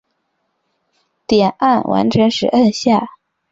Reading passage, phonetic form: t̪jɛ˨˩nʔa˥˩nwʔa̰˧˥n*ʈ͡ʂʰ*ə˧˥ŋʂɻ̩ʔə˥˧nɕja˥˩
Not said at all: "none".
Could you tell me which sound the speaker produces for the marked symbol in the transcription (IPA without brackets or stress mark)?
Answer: ʈ͡ʂʰ